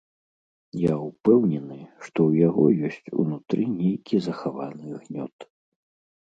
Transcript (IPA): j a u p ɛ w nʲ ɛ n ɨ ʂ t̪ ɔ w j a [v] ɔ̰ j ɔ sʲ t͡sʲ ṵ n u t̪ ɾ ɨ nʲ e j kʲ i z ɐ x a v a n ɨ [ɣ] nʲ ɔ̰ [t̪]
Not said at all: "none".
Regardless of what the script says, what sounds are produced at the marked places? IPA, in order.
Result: ɣ, ɣ, t̪

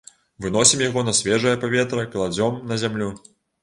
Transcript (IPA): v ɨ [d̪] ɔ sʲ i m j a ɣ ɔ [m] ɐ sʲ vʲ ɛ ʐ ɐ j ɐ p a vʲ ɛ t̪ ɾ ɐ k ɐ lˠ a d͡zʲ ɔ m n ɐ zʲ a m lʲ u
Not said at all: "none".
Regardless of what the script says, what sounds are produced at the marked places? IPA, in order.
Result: n̪, n

